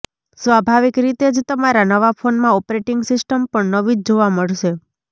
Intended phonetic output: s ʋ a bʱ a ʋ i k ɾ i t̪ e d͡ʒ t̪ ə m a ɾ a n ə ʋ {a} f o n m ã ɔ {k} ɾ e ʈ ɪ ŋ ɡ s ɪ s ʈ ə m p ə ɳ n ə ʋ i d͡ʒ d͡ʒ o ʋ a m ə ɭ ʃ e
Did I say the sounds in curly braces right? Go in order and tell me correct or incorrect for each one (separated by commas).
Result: correct, incorrect